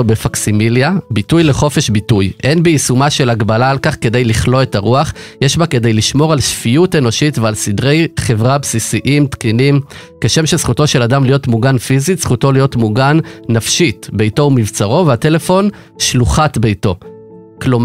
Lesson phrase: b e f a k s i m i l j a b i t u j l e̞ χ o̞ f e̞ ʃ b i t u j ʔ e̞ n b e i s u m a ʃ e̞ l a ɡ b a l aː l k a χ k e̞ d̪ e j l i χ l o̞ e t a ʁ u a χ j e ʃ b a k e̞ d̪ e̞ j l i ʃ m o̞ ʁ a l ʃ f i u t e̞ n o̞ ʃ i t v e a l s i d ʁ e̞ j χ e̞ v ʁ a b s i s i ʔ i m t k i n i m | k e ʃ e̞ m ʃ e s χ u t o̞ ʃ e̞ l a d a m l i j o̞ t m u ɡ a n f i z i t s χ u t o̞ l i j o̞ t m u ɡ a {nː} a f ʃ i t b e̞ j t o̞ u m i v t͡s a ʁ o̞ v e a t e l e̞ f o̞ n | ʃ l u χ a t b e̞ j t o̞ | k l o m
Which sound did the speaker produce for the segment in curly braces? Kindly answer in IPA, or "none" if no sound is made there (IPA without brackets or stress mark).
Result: nː